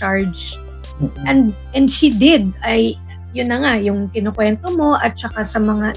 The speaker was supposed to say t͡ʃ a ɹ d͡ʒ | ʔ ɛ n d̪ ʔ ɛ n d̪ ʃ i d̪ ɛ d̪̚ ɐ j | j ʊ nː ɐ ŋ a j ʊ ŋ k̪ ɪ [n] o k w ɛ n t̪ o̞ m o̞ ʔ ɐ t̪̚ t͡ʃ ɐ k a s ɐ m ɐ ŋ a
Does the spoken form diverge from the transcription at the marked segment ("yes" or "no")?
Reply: no